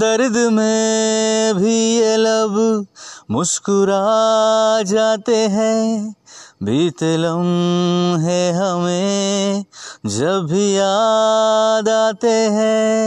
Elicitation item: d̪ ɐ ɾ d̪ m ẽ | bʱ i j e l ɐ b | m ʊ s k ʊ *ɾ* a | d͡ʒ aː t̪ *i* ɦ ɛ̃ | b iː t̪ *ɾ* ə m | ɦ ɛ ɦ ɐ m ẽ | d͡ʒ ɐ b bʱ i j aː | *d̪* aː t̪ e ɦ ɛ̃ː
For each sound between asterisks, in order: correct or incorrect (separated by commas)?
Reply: correct, incorrect, incorrect, correct